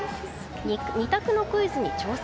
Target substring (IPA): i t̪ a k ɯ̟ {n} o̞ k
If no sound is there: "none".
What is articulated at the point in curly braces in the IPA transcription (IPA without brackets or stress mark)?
n